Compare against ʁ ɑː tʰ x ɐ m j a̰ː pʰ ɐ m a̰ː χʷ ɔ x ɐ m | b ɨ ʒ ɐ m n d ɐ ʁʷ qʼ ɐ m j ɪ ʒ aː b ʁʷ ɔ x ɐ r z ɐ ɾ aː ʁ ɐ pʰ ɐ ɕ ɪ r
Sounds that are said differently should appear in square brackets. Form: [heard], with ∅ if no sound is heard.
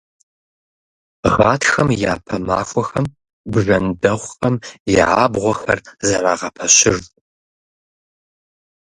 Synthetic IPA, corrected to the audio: ʁ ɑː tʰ x ɐ m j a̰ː pʰ ɐ m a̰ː [xʷ] ɔ x ɐ m | b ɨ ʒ ɐ [∅] n d ɐ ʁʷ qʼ ɐ m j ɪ [ʕ] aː b ʁʷ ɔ x ɐ r z ɐ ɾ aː ʁ ɐ pʰ ɐ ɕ ɪ r

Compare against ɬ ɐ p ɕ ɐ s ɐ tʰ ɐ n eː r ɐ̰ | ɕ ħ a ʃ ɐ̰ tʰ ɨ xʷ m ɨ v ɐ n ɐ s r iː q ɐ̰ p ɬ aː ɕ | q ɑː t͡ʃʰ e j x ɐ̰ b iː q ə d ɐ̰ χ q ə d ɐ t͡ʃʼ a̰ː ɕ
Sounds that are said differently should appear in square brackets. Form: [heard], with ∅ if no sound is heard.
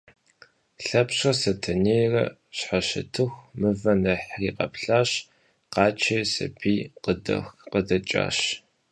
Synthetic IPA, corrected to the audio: ɬ ɐ p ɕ ɐ s ɐ tʰ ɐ n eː r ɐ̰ | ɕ ħ a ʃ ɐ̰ tʰ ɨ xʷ m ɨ v ɐ n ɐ [ħ] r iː q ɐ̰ p ɬ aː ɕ | q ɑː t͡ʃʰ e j [s] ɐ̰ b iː q ə d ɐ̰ [x] q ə d ɐ t͡ʃʼ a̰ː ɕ

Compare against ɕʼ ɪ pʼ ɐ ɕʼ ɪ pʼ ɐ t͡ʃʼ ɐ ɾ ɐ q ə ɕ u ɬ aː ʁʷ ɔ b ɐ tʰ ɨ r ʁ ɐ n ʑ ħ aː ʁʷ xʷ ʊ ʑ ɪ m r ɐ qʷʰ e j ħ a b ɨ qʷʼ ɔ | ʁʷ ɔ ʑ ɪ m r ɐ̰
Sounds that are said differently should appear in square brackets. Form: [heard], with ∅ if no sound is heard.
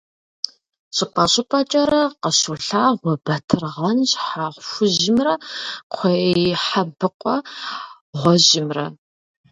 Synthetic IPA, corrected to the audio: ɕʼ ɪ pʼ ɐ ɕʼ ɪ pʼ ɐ t͡ʃʼ ɐ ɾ ɐ q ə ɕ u ɬ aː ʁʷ ɔ b ɐ tʰ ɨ r ʁ ɐ n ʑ ħ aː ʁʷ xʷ ʊ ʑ ɪ m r ɐ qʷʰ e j ħ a b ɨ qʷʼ ɔ | ʁʷ ɔ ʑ ɪ m r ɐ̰

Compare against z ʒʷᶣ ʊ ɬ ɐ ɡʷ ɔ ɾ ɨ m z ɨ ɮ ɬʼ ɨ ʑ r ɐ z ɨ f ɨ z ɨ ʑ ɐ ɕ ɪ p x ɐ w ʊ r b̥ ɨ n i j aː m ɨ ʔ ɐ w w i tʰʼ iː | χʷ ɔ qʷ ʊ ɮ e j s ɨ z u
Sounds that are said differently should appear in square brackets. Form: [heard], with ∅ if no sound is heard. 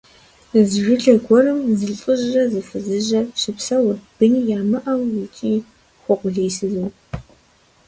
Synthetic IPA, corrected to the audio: z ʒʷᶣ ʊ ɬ ɐ ɡʷ ɔ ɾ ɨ m z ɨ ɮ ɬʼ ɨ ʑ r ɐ z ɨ f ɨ z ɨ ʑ ɐ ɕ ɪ p [s] ɐ w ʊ r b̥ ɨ n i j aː m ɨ ʔ ɐ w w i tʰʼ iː | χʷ ɔ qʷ ʊ ɮ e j s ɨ z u

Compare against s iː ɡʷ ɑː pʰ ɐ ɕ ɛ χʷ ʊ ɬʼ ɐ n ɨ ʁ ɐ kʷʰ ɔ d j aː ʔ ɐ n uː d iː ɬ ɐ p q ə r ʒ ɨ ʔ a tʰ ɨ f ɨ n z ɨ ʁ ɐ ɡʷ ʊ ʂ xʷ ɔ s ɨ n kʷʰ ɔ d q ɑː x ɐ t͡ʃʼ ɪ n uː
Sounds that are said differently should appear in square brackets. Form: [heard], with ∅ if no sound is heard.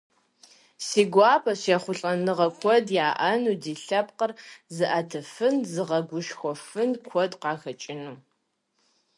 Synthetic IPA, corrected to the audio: s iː ɡʷ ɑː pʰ ɐ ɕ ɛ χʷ ʊ ɬʼ ɐ n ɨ ʁ ɐ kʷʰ ɔ d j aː ʔ ɐ n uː d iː ɬ ɐ p q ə r [z] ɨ ʔ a tʰ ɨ f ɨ n z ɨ ʁ ɐ ɡʷ ʊ [ʃ] xʷ ɔ [f] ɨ n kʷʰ ɔ d q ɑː x ɐ t͡ʃʼ ɪ n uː

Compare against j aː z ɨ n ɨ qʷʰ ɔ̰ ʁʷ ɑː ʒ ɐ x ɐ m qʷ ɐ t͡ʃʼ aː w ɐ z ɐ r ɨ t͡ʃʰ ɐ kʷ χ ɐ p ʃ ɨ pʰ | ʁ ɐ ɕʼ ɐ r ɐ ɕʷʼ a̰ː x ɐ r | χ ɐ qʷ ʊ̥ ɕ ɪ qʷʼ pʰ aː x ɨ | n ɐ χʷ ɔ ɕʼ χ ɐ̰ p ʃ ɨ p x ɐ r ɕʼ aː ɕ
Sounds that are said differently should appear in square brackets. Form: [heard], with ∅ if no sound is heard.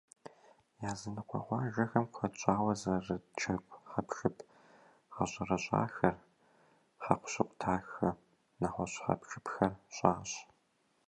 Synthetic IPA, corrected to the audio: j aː z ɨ n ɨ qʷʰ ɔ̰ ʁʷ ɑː ʒ ɐ x ɐ m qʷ ɐ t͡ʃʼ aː w ɐ z ɐ r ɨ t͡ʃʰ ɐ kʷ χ ɐ p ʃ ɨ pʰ | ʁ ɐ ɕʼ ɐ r ɐ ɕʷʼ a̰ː x ɐ r | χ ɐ qʷ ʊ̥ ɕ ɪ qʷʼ [tʰ] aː x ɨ | n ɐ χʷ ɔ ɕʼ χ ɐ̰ p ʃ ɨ p x ɐ r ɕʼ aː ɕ

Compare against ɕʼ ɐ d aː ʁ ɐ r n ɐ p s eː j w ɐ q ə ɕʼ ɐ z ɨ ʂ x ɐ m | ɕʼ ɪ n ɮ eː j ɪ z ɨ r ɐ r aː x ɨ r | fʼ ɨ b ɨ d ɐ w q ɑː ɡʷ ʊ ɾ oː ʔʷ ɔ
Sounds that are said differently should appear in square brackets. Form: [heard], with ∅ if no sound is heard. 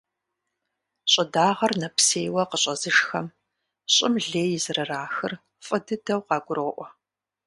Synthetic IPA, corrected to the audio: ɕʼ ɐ d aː ʁ ɐ r n ɐ p s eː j w ɐ q ə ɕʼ ɐ z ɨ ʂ x ɐ m | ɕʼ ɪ [m] ɮ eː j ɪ z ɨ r ɐ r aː x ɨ r | fʼ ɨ [d] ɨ d ɐ w q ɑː ɡʷ ʊ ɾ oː ʔʷ ɔ

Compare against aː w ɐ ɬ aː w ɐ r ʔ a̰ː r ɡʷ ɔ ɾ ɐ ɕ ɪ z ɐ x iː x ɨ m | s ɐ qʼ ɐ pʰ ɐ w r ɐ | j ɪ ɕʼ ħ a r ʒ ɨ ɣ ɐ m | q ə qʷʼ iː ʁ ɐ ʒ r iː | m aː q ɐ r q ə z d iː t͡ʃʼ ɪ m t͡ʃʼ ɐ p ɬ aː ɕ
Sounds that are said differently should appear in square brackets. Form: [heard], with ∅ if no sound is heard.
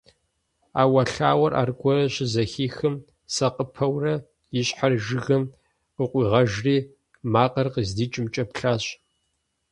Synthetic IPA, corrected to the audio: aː w ɐ ɬ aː w ɐ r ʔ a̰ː r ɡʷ ɔ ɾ ɐ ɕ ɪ z ɐ x iː x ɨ m | s ɐ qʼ [ə] pʰ ɐ w r ɐ | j ɪ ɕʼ ħ a r ʒ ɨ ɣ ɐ m | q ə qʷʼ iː ʁ ɐ ʒ r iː | m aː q ɐ r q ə z d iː t͡ʃʼ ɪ m t͡ʃʼ ɐ p ɬ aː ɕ

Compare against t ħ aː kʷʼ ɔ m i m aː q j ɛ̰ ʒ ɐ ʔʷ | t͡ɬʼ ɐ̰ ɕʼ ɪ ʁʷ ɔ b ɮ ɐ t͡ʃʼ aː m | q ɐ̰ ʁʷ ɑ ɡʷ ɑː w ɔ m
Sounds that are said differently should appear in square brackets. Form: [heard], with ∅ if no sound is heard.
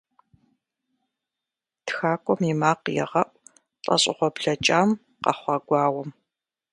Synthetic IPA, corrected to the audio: t [x] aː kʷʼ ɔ m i m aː q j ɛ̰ [ʁ] ɐ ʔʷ | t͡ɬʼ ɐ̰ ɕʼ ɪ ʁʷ ɔ b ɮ ɐ t͡ʃʼ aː m | q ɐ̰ [χʷ] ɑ ɡʷ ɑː w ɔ m

